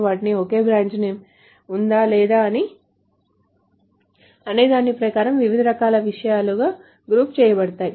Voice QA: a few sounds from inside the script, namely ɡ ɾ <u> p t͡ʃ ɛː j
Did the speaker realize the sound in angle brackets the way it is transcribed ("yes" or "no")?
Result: no